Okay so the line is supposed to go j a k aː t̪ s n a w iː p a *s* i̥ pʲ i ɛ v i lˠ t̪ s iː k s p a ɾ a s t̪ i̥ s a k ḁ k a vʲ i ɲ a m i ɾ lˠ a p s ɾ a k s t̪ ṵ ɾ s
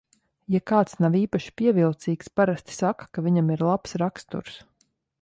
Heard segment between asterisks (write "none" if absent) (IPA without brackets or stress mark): ʃ